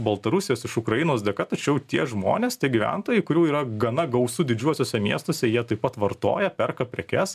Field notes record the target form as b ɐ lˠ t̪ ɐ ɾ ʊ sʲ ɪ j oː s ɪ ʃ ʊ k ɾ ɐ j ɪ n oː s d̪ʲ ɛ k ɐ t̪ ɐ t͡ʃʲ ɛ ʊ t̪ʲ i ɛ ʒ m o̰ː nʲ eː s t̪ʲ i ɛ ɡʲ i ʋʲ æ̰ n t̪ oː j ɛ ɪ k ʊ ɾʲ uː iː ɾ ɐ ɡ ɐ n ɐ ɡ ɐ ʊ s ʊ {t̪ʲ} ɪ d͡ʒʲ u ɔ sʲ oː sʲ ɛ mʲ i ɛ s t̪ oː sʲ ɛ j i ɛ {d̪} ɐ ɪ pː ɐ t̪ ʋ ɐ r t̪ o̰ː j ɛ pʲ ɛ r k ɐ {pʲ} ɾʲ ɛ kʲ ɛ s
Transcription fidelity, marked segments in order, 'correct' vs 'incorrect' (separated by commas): incorrect, incorrect, correct